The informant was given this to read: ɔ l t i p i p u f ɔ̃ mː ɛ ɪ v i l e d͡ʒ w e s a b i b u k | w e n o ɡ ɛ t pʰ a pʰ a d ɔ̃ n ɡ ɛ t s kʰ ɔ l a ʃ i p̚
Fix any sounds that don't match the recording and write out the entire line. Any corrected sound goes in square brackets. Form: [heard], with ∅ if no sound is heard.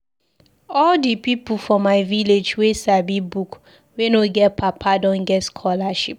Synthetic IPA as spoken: ɔ l [d] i p i p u f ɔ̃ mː [a] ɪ v i l e d͡ʒ w e s a b i b u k | w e n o ɡ ɛ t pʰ a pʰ a d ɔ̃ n ɡ ɛ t s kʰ ɔ l a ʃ i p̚